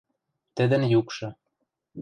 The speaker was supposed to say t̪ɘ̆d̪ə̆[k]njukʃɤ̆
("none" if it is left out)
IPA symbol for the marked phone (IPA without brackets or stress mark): none